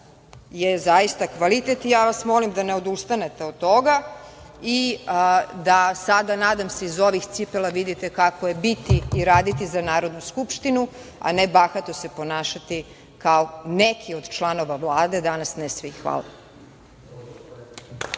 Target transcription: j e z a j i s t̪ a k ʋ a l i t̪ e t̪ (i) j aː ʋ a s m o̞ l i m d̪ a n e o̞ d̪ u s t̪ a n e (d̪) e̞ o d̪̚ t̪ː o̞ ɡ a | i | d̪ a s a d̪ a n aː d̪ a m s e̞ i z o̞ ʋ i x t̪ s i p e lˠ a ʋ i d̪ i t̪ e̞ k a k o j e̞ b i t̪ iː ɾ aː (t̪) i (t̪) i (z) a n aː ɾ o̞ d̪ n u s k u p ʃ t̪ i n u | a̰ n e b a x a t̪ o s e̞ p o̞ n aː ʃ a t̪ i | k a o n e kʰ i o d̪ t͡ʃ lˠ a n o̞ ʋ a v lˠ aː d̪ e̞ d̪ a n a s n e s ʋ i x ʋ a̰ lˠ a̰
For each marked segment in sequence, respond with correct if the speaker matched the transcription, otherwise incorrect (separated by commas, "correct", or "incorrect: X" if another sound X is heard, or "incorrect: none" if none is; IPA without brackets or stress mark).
correct, incorrect: t̪, incorrect: d̪, correct, correct